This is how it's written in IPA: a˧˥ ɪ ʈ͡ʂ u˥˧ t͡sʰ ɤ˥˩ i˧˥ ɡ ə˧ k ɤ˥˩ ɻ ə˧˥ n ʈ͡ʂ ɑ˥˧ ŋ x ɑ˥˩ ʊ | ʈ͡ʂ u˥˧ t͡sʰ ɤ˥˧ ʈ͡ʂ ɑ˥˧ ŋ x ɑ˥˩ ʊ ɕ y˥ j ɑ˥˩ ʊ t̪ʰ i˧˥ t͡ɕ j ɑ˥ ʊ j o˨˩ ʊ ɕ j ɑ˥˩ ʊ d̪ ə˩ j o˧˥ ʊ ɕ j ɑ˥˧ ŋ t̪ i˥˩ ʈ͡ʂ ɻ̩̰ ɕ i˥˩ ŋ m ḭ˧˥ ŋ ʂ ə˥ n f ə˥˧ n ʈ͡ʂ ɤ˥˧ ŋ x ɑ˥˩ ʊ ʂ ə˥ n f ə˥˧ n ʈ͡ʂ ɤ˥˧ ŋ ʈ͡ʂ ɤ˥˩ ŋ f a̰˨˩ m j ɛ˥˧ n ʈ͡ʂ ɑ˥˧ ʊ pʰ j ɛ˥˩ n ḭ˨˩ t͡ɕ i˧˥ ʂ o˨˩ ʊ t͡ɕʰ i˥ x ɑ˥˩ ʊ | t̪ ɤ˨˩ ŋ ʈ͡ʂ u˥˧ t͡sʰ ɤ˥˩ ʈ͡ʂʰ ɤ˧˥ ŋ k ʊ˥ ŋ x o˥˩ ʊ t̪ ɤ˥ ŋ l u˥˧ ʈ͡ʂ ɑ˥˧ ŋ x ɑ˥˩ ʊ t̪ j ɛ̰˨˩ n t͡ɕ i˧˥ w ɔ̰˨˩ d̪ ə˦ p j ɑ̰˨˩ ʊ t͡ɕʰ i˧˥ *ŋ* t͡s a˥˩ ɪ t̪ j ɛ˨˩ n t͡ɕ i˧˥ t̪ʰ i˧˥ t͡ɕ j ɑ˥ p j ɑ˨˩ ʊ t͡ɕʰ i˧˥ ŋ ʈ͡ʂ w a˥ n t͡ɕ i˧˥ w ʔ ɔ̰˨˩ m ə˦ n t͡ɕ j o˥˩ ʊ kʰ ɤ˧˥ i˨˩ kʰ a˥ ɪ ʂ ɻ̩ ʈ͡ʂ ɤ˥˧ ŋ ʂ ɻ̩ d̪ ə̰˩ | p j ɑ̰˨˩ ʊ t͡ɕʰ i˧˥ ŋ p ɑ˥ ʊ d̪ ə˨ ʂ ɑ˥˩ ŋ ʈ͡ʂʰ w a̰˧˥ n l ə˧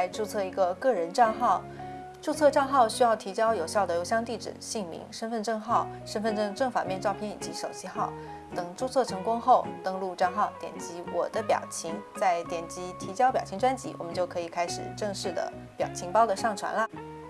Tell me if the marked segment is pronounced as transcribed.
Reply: yes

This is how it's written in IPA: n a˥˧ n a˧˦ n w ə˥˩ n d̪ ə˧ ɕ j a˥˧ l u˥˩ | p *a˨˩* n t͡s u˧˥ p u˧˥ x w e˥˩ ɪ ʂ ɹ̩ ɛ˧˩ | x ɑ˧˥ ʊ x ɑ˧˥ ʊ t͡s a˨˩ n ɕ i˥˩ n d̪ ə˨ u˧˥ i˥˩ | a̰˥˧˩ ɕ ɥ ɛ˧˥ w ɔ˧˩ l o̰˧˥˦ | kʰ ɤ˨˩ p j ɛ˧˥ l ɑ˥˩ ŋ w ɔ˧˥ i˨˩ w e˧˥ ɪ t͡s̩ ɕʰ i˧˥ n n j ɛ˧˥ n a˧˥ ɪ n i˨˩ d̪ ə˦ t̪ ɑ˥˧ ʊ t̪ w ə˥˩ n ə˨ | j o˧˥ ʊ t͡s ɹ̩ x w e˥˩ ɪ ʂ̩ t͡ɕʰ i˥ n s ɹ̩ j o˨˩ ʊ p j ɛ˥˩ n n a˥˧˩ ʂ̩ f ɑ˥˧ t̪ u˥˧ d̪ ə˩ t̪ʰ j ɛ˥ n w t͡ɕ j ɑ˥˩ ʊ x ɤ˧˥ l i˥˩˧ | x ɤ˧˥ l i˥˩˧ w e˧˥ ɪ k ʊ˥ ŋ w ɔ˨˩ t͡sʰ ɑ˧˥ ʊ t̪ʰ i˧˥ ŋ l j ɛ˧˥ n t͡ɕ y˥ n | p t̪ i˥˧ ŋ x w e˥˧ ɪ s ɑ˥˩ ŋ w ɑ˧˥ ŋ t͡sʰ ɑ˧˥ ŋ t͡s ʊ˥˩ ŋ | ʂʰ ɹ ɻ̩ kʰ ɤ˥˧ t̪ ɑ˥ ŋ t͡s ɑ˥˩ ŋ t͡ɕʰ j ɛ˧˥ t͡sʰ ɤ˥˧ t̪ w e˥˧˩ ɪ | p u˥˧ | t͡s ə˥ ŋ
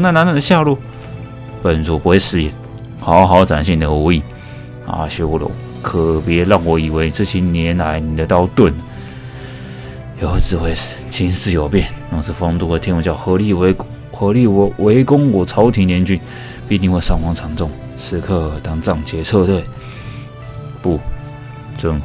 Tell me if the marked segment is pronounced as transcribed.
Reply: no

